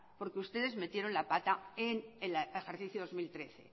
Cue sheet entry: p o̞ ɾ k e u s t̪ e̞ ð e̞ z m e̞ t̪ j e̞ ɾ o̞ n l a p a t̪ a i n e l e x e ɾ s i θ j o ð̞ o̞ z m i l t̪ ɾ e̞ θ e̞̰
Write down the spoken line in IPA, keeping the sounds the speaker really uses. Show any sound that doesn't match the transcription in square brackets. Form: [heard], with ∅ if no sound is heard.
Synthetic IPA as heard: p o̞ ɾ k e u s t̪ e̞ ð e̞ z m e̞ t̪ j e̞ ɾ o̞ n l a p a t̪ a [e] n e l e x e ɾ [θ] i θ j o ð̞ o̞ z m i l t̪ ɾ e̞ θ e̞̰